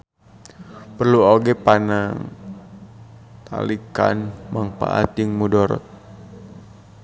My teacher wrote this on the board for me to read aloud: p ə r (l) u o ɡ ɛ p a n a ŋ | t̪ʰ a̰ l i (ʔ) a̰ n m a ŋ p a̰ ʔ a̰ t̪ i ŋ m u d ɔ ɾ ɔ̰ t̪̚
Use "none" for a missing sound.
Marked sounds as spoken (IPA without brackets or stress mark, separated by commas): l, k